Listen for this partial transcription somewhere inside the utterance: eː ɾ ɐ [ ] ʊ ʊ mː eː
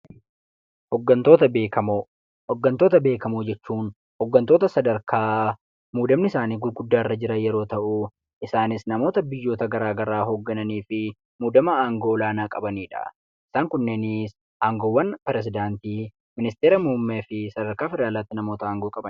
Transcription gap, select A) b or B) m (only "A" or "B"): B